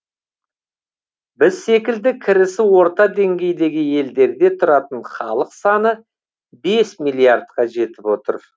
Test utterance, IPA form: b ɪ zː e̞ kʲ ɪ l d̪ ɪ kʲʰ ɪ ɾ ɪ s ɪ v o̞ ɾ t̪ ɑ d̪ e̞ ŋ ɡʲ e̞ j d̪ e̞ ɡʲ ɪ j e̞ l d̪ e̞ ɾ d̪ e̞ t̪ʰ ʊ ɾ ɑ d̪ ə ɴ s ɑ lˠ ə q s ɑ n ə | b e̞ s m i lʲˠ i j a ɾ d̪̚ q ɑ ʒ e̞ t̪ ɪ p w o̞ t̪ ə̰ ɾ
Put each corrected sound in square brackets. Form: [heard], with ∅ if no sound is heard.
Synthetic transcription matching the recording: b ɪ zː e̞ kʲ ɪ l d̪ ɪ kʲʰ ɪ ɾ ɪ s ɪ [w] o̞ ɾ t̪ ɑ d̪ e̞ ŋ ɡʲ e̞ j d̪ e̞ ɡʲ ɪ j e̞ l d̪ e̞ ɾ d̪ e̞ t̪ʰ ʊ ɾ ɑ [t̪] ə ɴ [χ] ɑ lˠ ə q s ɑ n ə | b e̞ s m i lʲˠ i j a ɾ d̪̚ q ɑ ʒ e̞ t̪ ɪ p w o̞ t̪ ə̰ ɾ